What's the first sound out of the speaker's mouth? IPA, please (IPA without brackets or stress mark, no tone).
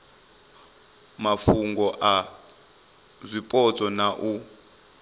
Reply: m